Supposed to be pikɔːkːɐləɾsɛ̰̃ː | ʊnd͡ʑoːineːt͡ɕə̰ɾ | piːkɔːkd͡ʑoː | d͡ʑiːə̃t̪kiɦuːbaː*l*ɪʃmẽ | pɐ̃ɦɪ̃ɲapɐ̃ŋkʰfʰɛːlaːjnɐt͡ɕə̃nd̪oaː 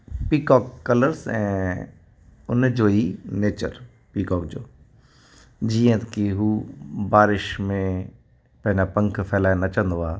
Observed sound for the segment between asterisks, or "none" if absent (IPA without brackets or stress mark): ɾ